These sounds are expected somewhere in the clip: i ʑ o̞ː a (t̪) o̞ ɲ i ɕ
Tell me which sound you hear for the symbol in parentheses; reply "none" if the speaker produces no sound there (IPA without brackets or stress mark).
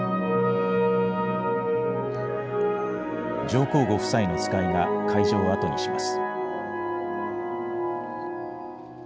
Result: t̪